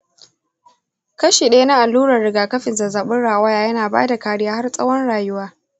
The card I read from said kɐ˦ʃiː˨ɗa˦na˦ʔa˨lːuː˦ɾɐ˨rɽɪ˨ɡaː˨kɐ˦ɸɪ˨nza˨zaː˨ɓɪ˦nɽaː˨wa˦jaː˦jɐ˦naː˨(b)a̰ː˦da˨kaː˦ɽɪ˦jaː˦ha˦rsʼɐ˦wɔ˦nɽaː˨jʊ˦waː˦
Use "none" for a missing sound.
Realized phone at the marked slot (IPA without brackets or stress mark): b